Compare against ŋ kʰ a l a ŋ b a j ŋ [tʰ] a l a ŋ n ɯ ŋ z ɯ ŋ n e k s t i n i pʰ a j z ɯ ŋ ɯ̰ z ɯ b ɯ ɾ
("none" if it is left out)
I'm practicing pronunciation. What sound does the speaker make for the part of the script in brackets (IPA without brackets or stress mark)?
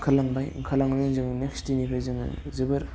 kʰ